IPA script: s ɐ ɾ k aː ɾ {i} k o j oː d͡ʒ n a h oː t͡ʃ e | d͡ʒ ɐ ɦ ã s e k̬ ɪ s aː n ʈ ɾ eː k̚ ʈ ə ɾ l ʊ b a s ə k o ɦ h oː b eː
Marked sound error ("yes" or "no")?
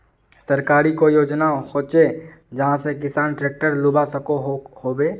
no